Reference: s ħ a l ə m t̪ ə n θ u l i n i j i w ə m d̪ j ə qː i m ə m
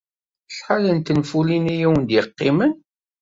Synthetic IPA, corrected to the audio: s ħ a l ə n t̪ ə n f u l i n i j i w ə n d̪ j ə qː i m ə n